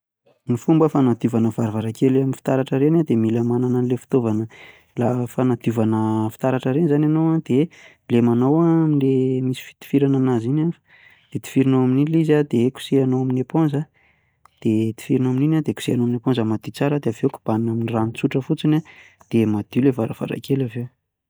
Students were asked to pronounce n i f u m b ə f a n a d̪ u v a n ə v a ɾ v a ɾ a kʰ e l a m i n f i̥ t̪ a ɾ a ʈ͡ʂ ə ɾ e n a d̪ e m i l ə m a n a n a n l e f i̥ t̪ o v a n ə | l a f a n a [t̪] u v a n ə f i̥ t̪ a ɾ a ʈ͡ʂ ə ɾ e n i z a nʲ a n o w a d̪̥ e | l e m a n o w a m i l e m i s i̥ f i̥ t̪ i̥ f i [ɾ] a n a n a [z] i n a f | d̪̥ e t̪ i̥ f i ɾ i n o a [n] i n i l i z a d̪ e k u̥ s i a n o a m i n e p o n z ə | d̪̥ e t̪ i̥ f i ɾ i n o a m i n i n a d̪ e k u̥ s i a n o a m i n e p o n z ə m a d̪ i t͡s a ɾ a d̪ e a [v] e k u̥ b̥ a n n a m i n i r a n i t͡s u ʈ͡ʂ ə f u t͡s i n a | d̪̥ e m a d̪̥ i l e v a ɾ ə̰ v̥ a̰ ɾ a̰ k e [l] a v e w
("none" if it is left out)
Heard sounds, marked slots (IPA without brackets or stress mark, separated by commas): d̪, ɾ, z, m, v, l